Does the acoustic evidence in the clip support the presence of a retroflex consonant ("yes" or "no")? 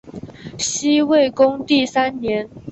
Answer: no